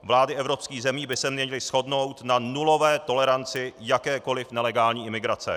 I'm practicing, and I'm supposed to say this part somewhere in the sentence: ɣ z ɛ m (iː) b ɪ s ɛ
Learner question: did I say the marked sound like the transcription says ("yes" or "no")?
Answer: yes